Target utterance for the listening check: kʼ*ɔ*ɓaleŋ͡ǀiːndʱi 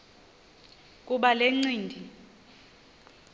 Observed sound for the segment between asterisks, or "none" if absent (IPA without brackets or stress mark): u